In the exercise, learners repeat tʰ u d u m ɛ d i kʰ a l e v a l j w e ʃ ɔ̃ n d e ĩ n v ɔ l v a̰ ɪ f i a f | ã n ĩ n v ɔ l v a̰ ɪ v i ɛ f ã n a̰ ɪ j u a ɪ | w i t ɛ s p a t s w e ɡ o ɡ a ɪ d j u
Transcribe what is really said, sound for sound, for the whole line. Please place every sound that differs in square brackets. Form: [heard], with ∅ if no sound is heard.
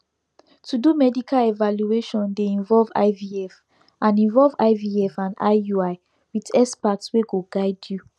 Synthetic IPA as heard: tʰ u d u m ɛ d i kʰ a l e v a l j [u] e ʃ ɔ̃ n d e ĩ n v ɔ l v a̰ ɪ [v] i [ɛ] f | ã n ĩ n v ɔ l v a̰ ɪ v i ɛ f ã n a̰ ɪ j u a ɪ | w i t ɛ s p a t s w e ɡ o ɡ a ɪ d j u